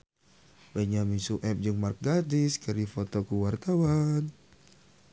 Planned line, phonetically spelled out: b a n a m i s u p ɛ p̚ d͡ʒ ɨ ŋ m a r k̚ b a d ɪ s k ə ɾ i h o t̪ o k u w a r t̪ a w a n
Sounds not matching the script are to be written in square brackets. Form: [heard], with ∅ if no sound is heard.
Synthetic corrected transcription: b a [ɲ] a m i s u [ʔ] ɛ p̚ d͡ʒ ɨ ŋ m a r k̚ [ɡ] a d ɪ s k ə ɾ i [f] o t̪ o k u w a r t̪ a w a n